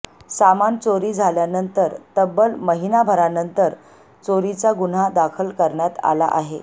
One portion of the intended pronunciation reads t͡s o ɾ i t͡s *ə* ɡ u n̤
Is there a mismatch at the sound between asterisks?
yes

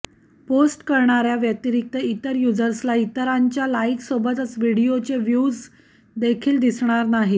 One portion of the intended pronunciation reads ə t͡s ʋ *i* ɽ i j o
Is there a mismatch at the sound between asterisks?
no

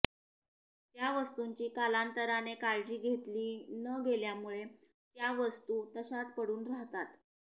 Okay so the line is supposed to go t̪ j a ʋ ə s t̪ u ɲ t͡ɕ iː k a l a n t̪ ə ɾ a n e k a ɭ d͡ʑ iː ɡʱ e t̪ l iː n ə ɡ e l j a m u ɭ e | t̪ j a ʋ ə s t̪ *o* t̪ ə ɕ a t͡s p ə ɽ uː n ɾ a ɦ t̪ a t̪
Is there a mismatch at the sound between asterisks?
yes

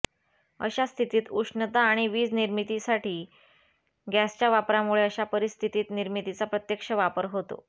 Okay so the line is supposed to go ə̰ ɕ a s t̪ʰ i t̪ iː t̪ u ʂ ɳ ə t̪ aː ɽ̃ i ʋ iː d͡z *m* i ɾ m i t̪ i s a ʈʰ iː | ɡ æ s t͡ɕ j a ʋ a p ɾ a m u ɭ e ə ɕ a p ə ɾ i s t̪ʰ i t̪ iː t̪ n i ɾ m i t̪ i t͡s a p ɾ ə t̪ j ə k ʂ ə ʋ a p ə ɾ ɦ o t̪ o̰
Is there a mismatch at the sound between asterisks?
yes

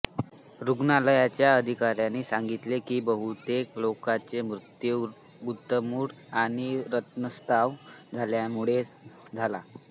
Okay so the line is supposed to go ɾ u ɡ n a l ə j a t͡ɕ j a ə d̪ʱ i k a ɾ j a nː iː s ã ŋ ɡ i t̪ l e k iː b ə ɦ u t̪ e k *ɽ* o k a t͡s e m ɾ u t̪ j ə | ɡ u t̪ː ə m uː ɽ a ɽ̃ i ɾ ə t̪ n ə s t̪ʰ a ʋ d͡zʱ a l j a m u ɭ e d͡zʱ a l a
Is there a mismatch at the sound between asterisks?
yes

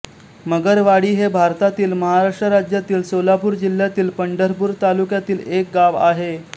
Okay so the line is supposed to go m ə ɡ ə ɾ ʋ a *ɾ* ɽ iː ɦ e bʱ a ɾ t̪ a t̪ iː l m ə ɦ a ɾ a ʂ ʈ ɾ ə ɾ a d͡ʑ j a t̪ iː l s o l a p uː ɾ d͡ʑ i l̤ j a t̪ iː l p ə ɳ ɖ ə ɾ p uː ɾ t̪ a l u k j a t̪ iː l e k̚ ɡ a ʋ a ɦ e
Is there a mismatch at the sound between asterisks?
yes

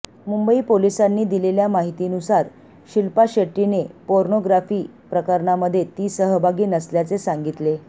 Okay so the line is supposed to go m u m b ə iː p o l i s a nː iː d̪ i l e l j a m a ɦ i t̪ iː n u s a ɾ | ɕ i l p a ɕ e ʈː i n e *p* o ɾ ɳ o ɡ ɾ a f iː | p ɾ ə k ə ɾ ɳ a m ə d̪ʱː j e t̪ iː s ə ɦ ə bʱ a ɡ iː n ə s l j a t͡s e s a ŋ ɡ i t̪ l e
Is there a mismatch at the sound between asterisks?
no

